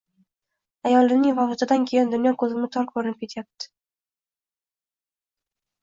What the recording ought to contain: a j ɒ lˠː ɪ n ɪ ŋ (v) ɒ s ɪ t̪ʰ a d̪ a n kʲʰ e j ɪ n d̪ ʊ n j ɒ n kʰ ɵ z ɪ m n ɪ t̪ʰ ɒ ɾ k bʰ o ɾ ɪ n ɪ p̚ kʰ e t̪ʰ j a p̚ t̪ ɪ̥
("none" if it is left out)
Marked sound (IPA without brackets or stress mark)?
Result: v